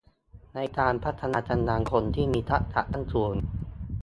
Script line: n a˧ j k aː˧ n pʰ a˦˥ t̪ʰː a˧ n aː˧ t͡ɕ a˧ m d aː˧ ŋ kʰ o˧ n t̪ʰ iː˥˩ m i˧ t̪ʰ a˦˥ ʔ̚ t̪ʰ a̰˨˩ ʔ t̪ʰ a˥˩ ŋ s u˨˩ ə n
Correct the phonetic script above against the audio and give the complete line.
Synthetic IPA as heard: n a˧ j k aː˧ n pʰ a˦˥ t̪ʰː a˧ n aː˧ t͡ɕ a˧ n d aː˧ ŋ kʰ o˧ n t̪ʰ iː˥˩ m iː˧ t̪ʰ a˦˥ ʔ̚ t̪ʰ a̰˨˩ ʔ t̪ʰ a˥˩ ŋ s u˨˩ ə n